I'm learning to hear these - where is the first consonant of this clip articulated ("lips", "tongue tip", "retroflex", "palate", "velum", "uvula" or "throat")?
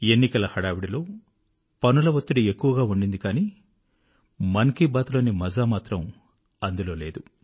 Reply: tongue tip